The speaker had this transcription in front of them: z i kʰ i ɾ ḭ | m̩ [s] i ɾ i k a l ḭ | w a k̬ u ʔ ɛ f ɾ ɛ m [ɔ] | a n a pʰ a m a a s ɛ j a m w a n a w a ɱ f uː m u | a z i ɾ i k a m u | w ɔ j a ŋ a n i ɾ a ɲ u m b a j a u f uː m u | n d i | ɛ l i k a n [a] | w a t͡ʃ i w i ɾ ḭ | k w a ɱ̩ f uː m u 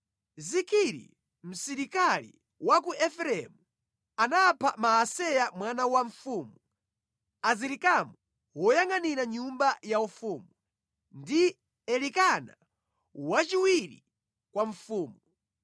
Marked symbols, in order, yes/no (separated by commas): yes, no, yes